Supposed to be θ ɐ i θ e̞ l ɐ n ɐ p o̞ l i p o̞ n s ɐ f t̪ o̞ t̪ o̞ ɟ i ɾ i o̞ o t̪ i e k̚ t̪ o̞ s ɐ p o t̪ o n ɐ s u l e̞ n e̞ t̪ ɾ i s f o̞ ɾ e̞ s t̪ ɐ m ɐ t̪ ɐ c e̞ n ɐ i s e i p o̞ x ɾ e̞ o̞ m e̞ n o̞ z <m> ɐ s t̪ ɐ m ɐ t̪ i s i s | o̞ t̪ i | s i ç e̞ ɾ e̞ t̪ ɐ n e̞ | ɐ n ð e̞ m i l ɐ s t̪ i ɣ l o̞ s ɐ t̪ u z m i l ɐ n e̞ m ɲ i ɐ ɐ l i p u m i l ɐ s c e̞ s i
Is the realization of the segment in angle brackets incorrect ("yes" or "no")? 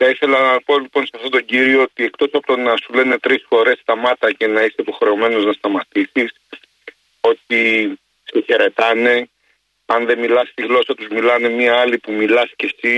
yes